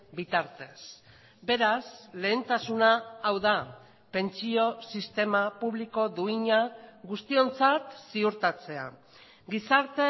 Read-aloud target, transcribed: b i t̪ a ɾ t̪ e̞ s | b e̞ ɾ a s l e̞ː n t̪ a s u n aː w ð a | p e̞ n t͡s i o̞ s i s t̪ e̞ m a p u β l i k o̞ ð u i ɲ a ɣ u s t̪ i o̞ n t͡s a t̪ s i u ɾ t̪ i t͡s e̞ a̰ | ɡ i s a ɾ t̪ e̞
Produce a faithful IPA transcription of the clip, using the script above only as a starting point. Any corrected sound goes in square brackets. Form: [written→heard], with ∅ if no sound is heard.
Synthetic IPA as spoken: b i t̪ a ɾ t̪ e̞ s | b e̞ ɾ a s l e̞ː n t̪ a s u n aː w ð a | p e̞ n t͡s i o̞ s i s t̪ e̞ m a p u β l i k o̞ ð u i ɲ a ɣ u s t̪ i o̞ n t͡s a t̪ s i u ɾ t̪ [i→a] t͡s e̞ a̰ | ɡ i s a ɾ t̪ e̞